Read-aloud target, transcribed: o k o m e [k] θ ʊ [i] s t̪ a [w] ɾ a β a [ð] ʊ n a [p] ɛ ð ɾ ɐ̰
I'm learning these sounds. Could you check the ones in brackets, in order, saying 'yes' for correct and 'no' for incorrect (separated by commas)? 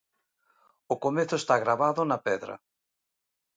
no, no, no, yes, yes